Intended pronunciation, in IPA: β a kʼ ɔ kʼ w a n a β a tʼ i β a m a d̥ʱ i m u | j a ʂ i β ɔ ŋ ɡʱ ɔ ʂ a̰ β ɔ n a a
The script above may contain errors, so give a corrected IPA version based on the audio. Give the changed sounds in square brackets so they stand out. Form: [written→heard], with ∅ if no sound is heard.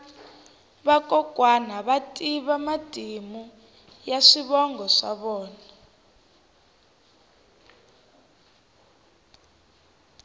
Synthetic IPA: β a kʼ ɔ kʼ w a n a β a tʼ i β a m a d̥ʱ i m u | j a ʂ i β ɔ ŋ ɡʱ ɔ ʂ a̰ β [ɔ→ɔː] n a a